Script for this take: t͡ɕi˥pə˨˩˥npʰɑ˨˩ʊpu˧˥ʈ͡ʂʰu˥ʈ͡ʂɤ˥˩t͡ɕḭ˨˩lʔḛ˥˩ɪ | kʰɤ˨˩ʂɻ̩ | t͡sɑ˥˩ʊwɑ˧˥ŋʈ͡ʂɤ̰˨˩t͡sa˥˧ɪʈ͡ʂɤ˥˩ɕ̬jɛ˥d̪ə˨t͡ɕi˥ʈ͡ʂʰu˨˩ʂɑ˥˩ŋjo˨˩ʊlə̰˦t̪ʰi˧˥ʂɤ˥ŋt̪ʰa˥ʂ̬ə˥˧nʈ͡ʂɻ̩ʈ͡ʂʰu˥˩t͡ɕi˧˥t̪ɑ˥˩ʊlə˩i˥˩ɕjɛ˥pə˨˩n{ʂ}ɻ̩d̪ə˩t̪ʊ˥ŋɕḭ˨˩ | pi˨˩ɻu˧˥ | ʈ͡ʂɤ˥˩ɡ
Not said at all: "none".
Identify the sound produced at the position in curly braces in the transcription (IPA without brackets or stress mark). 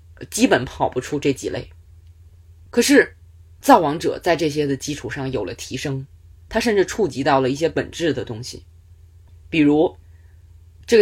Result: ʈ͡ʂ